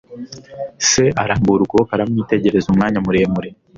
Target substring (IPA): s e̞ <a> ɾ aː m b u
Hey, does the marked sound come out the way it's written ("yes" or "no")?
yes